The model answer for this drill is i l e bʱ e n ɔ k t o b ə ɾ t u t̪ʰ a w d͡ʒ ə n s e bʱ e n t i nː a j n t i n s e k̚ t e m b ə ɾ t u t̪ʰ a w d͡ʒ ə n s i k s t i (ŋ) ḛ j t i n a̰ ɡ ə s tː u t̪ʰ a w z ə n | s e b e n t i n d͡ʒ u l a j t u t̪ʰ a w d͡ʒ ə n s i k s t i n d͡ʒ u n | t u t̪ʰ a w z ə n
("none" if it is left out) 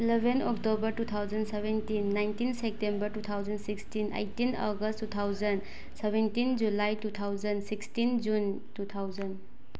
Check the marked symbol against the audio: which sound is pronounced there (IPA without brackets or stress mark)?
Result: n